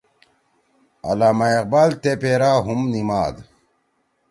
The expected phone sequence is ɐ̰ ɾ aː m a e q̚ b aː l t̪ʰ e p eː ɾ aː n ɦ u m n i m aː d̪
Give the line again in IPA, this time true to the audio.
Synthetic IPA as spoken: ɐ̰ l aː m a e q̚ b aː l t̪ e p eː ɾ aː ɦ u m n i m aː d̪